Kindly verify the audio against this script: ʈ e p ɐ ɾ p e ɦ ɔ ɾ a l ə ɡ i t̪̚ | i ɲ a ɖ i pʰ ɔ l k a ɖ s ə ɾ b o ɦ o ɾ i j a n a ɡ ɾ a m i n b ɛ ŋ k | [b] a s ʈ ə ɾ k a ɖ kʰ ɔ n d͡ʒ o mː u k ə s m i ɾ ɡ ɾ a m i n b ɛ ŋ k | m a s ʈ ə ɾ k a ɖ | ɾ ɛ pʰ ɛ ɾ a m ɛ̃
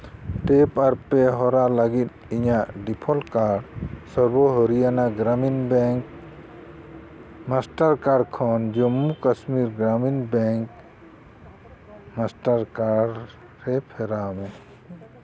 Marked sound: incorrect: m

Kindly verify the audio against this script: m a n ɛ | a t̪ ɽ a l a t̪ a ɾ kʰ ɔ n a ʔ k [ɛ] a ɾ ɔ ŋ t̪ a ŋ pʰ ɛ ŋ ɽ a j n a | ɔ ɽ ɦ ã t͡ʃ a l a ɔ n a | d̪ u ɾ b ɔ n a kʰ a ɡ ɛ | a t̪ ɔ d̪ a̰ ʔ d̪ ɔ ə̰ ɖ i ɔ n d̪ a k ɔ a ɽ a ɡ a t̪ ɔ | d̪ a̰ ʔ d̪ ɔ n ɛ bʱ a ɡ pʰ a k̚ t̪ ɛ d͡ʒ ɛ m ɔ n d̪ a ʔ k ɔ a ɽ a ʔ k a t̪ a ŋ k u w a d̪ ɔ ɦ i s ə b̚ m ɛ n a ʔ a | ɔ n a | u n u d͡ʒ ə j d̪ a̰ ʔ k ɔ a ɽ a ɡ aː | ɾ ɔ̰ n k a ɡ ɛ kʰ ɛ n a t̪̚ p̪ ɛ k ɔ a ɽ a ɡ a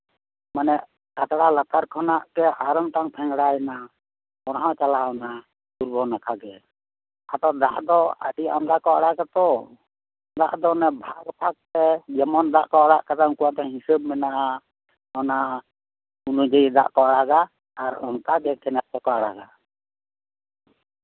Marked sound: correct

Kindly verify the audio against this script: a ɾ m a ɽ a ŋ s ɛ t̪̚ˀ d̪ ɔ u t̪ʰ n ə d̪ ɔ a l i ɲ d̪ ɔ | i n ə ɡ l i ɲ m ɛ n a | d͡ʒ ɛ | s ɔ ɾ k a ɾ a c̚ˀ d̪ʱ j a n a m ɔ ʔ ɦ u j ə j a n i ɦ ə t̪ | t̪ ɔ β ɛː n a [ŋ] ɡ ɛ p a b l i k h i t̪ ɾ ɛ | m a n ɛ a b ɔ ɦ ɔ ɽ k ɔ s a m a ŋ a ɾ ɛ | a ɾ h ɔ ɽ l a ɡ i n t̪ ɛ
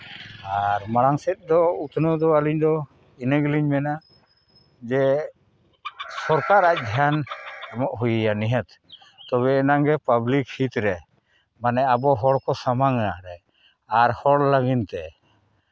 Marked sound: correct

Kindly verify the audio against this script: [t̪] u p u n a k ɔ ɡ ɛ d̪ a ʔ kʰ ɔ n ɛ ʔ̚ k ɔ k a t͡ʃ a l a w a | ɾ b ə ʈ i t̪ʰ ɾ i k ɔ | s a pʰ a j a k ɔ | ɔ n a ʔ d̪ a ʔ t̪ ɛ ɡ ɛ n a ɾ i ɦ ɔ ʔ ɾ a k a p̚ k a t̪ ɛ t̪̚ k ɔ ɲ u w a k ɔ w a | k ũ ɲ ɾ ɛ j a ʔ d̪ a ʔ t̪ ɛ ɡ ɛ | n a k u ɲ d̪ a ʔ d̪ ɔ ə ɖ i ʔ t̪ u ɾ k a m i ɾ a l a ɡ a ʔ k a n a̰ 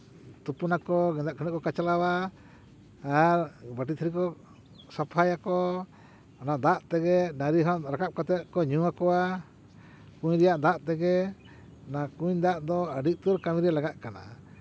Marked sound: correct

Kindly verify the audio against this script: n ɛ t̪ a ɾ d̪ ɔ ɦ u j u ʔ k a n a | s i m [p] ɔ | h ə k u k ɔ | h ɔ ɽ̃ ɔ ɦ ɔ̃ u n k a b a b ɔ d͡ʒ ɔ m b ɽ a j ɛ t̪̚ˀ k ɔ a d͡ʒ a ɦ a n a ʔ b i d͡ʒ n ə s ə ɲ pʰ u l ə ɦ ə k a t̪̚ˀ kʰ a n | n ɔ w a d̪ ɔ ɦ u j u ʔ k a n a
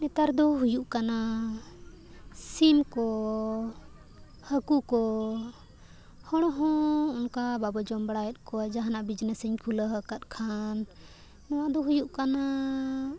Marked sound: incorrect: k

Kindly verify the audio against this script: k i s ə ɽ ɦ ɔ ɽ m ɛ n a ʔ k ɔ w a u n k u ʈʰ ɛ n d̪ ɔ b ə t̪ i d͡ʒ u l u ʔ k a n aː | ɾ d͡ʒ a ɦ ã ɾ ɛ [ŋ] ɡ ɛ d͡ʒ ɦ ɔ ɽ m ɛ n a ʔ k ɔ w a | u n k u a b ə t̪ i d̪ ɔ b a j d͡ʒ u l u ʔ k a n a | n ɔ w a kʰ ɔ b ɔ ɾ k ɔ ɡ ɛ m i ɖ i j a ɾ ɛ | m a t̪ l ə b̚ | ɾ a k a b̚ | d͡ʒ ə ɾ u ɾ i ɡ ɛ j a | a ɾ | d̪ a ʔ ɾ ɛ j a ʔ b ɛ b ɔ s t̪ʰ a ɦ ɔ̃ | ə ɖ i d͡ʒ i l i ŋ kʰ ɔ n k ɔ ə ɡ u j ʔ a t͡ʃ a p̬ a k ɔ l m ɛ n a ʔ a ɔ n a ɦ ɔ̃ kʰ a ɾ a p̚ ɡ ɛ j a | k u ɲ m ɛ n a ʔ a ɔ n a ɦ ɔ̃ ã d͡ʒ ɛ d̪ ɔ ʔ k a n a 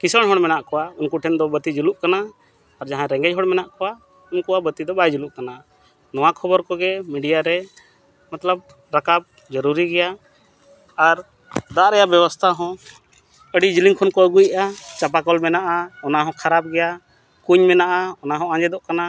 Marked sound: correct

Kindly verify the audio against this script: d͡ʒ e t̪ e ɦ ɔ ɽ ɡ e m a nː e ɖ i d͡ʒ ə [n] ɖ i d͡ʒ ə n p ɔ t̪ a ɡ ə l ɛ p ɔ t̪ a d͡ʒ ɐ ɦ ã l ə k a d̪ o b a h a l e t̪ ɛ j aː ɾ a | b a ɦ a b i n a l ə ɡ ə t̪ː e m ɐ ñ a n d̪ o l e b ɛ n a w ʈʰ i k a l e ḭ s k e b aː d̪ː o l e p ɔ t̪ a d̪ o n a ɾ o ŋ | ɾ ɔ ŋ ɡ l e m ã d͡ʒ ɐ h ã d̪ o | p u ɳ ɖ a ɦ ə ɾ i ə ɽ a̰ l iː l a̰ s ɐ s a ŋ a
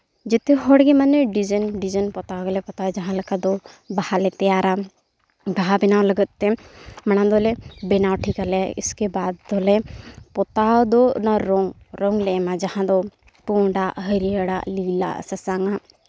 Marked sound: correct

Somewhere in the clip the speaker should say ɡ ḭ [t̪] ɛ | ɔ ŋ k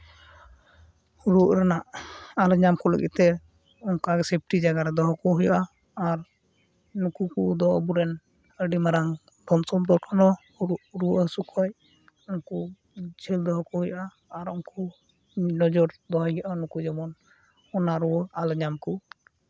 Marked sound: correct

